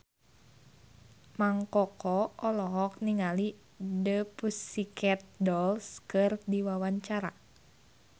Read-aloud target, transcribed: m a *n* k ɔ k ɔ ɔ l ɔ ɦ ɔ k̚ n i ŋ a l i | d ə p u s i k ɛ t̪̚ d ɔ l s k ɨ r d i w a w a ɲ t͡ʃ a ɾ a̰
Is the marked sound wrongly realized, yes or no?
yes